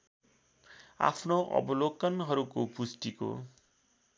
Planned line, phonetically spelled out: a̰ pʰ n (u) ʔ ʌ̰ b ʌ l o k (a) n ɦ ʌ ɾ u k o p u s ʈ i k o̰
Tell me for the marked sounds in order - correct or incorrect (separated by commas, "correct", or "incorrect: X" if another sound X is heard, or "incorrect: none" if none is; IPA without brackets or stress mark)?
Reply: incorrect: o, incorrect: ʌ